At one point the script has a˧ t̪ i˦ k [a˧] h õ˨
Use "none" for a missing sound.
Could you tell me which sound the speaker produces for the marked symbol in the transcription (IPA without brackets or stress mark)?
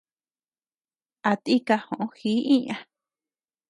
a˧